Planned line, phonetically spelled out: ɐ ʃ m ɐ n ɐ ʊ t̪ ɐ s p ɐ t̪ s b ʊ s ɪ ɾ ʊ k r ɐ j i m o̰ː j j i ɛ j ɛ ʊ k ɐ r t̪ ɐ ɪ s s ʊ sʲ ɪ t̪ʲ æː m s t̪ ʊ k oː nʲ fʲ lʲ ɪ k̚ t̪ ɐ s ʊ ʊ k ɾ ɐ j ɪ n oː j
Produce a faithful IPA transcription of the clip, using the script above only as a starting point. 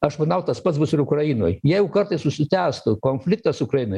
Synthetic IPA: ɐ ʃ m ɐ n ɐ ʊ t̪ ɐ s p ɐ t̪ s b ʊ s ɪ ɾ ʊ k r ɐ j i n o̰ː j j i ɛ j ɛ ʊ k ɐ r t̪ ɐ ɪ s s ʊ sʲ ɪ t̪ʲ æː s t̪ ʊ k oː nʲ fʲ lʲ ɪ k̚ t̪ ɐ s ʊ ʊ k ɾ ɐ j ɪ n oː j